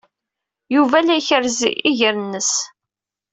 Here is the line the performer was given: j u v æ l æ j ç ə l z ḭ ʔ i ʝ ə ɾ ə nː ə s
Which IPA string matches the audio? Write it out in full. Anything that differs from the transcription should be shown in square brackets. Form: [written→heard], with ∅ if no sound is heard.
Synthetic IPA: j u v æ l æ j ç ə [l→ɾ] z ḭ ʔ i ʝ ə ɾ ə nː ə s